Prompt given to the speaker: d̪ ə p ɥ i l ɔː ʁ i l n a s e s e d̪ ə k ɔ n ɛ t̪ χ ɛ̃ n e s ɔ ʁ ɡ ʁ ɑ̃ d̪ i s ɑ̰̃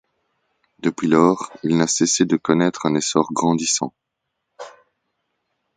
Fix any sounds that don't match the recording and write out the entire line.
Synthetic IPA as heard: d̪ ə p ɥ i l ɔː ʁ i l n a s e s e d̪ ə k ɔ n ɛ t̪ χ ɛ̃ n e s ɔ ʁ ɡ ʁ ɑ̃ d̪ i s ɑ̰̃